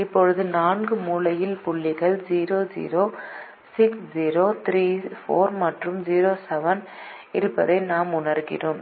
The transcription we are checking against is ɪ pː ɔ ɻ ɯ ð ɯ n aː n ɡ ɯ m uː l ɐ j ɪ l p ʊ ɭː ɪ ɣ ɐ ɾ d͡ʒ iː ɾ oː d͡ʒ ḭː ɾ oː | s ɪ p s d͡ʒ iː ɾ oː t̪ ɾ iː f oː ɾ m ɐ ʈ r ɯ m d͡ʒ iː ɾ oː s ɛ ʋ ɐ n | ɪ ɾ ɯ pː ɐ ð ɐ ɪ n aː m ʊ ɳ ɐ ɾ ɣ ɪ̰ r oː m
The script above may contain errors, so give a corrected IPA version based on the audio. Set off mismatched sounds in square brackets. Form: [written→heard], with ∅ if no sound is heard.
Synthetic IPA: ɪ pː ɔ ɻ ɯ ð ɯ n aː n ɡ ɯ m uː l ɐ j ɪ l p ʊ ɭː ɪ ɣ ɐ [ɾ→ɭ] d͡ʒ iː ɾ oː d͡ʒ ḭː ɾ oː | s ɪ [p→k] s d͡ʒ iː ɾ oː t̪ ɾ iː f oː ɾ m ɐ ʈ r ɯ m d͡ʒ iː ɾ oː s ɛ ʋ ɐ n | ɪ ɾ ɯ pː ɐ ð ɐ ɪ n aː m ʊ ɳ ɐ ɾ ɣ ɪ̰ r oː m